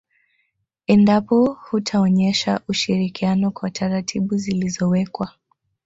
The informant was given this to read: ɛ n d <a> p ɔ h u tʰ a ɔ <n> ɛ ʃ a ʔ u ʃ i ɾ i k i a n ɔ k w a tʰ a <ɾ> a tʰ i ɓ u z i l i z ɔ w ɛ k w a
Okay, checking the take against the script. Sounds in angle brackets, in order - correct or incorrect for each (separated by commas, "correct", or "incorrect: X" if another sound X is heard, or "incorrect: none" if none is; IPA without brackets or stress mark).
correct, incorrect: ɲ, correct